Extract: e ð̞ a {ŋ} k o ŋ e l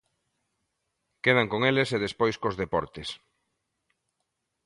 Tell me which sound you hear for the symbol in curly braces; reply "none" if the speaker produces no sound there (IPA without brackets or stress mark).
ŋ